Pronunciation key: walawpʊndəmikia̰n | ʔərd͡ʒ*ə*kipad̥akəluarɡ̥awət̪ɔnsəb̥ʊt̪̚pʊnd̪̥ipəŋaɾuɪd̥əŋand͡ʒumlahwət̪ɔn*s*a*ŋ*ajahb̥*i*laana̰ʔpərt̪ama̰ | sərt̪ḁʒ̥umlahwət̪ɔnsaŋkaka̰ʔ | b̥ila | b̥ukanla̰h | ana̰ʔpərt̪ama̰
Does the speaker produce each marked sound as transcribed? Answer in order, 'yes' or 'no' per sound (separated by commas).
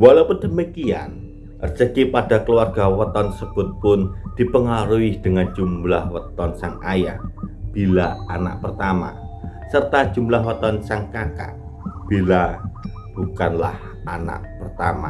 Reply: yes, yes, yes, yes